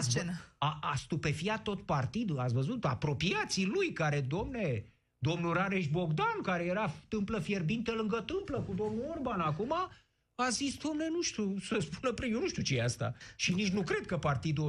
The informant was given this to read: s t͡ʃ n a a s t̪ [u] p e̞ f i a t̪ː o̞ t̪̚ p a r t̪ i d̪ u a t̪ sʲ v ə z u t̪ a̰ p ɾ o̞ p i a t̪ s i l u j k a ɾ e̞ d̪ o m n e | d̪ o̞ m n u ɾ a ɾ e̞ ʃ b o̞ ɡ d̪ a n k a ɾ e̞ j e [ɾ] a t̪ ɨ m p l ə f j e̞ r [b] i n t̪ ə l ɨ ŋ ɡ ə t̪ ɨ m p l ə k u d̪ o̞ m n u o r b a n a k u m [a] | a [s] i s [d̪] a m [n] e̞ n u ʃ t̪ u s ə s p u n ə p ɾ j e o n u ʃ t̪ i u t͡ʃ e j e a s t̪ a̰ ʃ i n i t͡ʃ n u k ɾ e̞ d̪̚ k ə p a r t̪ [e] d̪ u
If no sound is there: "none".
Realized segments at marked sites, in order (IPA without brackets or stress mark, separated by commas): u, ɾ, b, a, z, d̪, n, i